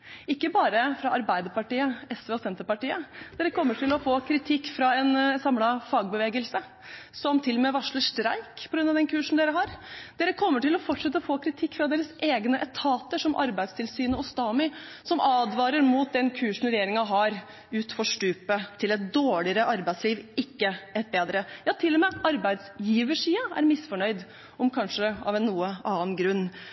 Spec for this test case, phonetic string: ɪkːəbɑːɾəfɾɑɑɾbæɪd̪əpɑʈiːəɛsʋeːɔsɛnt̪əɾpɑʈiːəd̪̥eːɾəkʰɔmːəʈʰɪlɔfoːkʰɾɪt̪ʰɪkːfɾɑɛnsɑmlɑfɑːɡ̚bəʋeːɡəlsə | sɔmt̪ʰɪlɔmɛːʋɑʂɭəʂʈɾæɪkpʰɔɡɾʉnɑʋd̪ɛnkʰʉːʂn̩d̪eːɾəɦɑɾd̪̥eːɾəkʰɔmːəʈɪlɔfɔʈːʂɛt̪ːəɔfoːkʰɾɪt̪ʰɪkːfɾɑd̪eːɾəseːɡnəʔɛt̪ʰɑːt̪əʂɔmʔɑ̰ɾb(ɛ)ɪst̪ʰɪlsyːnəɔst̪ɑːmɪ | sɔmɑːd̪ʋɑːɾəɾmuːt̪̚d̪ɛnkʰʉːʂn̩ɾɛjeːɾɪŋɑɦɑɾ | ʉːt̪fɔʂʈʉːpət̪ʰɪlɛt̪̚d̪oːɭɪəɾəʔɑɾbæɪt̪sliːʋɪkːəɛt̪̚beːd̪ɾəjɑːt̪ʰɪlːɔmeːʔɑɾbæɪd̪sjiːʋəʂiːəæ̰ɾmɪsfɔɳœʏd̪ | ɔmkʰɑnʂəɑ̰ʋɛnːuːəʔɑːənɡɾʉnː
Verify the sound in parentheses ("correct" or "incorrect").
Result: incorrect